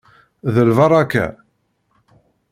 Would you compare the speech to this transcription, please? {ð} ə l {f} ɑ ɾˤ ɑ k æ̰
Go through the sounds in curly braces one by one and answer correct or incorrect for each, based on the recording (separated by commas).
correct, incorrect